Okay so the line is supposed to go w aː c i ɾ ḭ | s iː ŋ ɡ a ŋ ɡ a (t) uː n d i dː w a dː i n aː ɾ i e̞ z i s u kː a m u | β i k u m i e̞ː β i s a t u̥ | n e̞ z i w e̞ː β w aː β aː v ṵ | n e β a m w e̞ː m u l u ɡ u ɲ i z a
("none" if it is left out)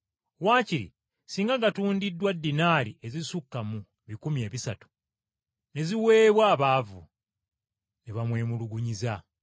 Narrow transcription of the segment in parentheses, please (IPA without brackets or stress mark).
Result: t